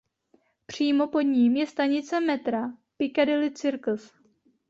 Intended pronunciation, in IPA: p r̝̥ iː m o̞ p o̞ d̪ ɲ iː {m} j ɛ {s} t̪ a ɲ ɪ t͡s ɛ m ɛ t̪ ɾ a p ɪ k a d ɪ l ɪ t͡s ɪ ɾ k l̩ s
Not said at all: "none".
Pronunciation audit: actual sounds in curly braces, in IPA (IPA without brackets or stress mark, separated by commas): m, s